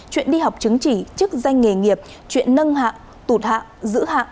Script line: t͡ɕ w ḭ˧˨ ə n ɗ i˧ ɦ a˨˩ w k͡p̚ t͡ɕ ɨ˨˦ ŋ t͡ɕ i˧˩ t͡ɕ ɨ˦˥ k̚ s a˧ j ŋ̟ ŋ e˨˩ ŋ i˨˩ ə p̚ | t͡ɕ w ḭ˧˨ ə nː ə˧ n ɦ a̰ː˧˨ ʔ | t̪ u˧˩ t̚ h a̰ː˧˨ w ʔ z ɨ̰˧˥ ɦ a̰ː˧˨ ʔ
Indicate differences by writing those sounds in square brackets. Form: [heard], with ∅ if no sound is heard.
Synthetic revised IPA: t͡ɕ w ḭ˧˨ ə n ɗ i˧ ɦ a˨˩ w k͡p̚ t͡ɕ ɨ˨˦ ŋ t͡ɕ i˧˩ t͡ɕ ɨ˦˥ k̚ [z] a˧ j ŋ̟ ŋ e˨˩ ŋ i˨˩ ə p̚ | t͡ɕ w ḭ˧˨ ə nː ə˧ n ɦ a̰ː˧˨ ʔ | t̪ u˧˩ t̚ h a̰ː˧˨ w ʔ z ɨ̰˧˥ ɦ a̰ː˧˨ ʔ